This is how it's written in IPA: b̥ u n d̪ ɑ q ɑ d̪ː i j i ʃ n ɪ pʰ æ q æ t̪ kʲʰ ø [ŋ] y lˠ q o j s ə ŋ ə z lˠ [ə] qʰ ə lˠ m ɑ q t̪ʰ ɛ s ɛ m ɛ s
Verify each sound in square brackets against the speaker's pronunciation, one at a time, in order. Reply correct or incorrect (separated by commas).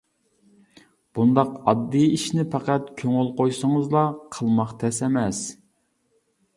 correct, incorrect